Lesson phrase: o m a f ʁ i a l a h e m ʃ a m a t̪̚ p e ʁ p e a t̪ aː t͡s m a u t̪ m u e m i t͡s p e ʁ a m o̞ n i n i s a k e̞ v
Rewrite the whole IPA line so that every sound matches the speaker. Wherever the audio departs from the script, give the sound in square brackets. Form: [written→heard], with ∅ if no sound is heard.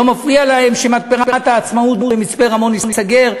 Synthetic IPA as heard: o m a f ʁ i a l a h e m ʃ [a→e] m a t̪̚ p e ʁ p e a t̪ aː t͡s m a u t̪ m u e m i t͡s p e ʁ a m o̞ n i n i s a [k→ɡ] e̞ [v→ʁ]